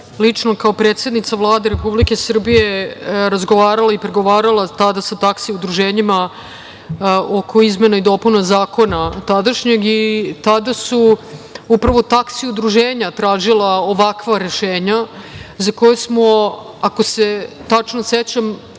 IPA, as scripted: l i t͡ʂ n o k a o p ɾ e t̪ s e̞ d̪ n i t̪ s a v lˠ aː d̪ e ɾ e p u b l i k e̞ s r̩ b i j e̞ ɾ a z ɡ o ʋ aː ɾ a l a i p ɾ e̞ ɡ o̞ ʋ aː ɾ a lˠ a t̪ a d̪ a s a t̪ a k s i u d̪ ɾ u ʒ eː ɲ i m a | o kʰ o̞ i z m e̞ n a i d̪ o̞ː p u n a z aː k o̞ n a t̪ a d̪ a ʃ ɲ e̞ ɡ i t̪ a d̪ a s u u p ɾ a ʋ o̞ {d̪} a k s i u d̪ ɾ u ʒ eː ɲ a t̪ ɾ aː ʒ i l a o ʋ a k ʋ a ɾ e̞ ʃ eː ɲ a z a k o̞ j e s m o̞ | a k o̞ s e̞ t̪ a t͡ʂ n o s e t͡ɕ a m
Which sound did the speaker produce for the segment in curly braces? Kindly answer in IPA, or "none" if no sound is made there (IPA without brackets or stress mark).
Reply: t̪